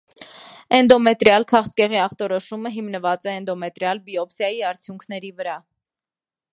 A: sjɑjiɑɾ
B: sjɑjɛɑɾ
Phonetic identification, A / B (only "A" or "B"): A